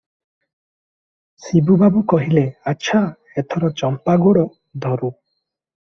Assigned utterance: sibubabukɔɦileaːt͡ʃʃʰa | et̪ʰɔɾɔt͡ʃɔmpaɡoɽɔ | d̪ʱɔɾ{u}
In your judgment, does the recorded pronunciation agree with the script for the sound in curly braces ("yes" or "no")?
yes